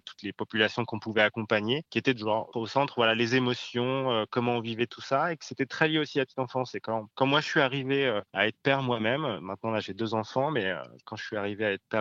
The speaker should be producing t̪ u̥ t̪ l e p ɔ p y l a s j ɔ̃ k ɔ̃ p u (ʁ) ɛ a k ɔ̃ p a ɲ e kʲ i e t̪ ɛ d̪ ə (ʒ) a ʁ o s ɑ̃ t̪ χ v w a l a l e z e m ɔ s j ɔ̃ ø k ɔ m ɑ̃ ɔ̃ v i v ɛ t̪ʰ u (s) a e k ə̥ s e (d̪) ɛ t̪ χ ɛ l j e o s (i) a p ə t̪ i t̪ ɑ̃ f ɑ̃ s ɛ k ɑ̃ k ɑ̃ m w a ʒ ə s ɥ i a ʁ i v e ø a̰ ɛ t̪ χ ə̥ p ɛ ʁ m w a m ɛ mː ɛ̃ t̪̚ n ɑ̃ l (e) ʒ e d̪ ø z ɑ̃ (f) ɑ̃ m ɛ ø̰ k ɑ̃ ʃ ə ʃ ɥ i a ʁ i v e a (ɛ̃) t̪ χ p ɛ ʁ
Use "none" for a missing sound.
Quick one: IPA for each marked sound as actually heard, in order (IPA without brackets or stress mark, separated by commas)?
v, ʒ, s, t̪, i, a, f, ɛ